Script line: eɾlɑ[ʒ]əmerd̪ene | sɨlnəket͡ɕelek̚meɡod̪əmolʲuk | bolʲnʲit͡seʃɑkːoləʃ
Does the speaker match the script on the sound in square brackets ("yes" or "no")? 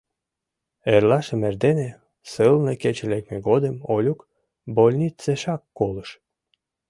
no